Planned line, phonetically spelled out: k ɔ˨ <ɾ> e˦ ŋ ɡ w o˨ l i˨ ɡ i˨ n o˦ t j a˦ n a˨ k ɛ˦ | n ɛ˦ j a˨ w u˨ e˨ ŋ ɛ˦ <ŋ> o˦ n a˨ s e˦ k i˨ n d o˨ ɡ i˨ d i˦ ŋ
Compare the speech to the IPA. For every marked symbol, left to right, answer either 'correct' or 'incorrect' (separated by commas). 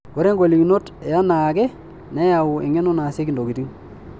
correct, incorrect